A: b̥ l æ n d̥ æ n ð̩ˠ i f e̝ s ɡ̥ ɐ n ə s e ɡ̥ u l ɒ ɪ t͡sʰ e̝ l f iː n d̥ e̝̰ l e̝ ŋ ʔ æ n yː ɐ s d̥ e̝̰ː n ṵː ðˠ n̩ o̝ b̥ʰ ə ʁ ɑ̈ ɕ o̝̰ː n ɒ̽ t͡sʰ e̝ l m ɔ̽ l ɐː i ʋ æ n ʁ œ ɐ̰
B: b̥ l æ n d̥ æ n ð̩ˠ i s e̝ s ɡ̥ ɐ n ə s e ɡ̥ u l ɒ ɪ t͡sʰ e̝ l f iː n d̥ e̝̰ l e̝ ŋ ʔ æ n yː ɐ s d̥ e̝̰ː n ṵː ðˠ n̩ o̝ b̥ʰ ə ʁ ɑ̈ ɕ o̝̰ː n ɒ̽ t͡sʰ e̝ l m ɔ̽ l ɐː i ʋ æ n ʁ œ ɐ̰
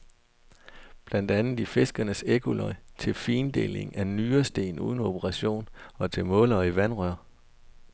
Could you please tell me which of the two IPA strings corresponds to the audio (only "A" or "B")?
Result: A